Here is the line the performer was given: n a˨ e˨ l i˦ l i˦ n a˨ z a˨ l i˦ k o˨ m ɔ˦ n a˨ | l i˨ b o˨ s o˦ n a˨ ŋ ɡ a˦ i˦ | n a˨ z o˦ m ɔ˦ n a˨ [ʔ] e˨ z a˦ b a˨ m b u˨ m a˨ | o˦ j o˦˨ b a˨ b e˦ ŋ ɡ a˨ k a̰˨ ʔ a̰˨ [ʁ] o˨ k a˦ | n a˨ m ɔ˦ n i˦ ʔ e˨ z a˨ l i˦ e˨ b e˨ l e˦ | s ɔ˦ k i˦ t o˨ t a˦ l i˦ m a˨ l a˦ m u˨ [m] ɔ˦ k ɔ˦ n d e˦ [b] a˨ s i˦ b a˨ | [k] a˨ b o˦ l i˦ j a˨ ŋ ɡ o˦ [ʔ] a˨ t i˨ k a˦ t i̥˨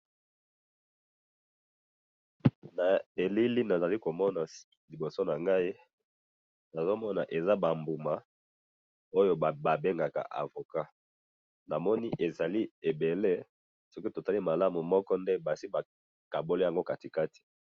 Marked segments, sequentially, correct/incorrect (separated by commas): correct, incorrect, correct, correct, correct, incorrect